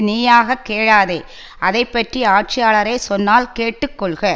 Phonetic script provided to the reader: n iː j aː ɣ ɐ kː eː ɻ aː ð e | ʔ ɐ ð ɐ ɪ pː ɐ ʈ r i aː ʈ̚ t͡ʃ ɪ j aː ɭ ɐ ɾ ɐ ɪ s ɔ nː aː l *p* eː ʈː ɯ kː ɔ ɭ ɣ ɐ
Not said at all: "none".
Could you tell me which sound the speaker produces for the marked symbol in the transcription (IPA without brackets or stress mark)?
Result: k